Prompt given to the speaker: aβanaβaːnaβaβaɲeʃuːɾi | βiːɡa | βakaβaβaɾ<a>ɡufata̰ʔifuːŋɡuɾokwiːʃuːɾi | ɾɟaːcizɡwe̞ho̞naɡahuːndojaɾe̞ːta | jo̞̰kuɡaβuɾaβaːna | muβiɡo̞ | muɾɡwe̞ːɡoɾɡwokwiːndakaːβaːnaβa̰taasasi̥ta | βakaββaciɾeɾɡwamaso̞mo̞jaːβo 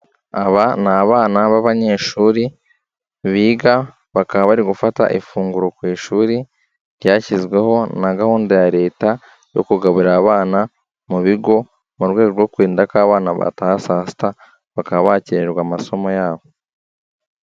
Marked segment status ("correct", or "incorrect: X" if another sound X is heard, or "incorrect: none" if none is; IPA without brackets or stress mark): incorrect: i